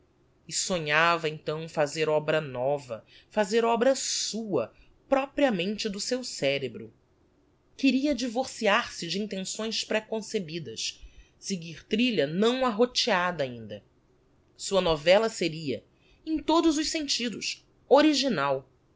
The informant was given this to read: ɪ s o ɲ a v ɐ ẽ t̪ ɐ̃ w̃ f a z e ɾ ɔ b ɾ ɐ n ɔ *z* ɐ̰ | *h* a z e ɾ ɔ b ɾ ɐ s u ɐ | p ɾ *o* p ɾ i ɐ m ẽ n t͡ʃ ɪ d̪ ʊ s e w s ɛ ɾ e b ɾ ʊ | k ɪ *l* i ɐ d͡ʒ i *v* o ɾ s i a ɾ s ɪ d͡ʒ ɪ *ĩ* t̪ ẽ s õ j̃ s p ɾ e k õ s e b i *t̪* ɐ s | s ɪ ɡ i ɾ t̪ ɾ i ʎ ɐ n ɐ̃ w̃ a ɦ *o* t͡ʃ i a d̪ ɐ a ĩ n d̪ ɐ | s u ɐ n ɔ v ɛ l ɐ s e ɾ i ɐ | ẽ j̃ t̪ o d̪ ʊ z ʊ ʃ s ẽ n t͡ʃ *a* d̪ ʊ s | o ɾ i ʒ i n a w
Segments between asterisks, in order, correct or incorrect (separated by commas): incorrect, incorrect, incorrect, incorrect, correct, correct, incorrect, correct, incorrect